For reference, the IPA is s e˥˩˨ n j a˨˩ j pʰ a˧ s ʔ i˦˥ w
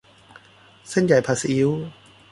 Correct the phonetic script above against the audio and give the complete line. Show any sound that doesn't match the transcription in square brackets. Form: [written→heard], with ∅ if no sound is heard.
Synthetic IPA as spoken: s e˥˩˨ n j a˨˩ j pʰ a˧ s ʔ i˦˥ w